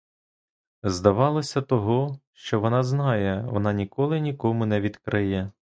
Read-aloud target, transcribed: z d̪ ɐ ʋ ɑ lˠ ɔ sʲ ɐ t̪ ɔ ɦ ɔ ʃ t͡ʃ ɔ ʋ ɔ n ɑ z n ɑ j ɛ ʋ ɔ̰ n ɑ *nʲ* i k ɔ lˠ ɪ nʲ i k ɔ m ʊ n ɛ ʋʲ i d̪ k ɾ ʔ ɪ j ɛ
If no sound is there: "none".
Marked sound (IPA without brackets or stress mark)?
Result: nʲ